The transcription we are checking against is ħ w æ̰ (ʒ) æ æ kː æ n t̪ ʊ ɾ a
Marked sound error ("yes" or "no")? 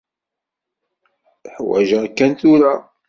no